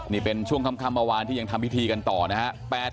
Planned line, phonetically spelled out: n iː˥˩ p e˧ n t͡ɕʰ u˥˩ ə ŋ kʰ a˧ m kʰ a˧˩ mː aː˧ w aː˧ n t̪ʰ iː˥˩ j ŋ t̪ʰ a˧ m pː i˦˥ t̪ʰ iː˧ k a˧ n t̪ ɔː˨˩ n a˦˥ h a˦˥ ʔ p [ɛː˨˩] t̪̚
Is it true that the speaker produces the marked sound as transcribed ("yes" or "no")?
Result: yes